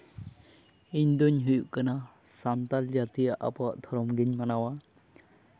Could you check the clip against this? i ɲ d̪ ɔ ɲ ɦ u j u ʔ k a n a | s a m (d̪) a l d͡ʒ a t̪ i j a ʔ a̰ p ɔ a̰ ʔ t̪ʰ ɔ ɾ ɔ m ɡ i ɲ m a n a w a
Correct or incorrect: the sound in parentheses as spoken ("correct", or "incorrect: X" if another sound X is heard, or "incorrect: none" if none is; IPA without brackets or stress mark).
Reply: incorrect: t̪